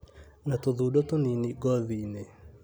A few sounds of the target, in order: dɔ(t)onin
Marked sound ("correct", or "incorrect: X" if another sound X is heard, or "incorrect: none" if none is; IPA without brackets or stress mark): correct